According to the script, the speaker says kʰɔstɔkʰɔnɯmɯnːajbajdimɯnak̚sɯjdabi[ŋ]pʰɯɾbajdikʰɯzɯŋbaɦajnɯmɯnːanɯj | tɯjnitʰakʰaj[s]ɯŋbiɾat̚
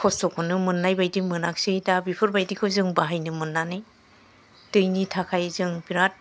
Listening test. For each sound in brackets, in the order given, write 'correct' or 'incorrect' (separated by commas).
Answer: incorrect, incorrect